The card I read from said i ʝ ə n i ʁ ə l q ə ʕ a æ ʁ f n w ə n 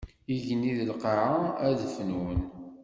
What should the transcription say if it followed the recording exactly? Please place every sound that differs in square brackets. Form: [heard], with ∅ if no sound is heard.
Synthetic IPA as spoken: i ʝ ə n i [ð] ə l q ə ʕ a æ [ð] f n w ə n